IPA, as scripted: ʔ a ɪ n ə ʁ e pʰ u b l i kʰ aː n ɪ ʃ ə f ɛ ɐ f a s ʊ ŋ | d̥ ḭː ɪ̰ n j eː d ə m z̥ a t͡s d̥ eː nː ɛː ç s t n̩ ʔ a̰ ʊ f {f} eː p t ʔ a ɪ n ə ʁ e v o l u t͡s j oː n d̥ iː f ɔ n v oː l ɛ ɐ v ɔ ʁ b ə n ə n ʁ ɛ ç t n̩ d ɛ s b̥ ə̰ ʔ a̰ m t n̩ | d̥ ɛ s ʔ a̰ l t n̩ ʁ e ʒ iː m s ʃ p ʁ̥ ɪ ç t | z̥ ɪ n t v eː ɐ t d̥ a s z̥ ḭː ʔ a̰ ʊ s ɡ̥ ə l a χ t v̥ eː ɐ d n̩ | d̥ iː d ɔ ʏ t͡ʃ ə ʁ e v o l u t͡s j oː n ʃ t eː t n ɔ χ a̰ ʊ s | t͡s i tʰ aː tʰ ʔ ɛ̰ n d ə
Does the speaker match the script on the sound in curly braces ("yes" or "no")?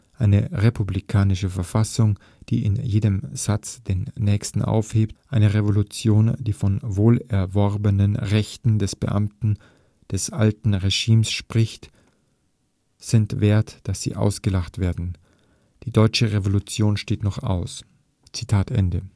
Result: no